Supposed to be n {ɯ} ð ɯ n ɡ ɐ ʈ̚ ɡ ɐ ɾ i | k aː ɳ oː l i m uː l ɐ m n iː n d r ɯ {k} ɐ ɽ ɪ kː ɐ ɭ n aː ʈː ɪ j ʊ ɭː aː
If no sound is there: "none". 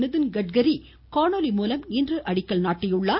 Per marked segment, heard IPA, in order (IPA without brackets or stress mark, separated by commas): ɯ, ʔ